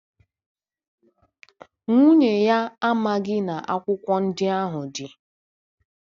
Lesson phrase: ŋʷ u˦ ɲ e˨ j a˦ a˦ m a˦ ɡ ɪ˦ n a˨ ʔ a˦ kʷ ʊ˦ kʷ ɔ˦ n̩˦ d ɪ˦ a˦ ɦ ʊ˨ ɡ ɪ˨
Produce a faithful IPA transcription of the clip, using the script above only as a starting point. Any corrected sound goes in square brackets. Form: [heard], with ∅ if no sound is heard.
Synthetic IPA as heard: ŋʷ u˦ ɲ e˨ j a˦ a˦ m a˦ ɡ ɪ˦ n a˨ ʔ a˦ kʷ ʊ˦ kʷ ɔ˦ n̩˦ d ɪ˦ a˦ ɦ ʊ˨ [d] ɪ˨